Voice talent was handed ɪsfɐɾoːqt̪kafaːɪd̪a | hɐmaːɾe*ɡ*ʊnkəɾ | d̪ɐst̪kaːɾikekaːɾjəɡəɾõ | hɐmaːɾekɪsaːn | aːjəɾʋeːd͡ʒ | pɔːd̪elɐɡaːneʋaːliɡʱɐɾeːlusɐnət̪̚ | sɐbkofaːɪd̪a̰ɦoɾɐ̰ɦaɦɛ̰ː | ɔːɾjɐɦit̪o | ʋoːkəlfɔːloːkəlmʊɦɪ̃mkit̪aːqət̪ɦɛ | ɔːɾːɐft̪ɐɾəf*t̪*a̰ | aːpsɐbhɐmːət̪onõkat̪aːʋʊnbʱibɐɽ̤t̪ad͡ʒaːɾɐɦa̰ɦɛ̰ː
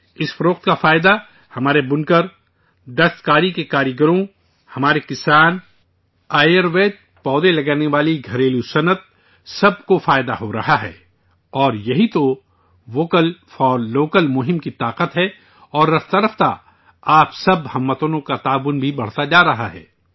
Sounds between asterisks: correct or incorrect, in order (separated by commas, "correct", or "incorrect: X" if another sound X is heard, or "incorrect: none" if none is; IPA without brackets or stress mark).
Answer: incorrect: b, correct